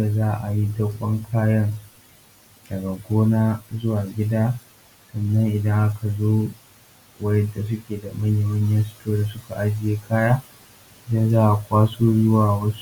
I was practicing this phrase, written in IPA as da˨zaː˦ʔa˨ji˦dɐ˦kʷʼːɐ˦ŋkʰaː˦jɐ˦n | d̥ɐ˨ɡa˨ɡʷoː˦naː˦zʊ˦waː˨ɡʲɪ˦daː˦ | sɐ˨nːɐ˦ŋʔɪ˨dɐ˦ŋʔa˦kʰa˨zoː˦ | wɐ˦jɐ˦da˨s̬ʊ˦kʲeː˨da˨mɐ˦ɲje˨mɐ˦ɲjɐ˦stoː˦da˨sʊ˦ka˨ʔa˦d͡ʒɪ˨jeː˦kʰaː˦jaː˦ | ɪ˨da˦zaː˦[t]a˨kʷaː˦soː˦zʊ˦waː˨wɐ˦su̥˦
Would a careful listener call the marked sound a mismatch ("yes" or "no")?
yes